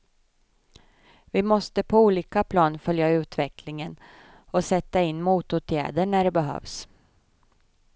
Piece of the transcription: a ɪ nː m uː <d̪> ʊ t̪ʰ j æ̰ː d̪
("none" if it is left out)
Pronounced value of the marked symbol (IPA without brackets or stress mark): t̪